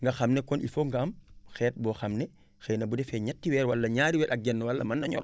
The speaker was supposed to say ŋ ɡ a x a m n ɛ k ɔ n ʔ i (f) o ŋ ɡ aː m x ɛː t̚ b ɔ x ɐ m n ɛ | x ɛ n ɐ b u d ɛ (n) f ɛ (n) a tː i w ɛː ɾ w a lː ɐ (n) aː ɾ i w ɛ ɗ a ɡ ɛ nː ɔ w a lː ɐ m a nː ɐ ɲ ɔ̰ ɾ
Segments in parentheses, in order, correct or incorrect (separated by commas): correct, incorrect, incorrect, incorrect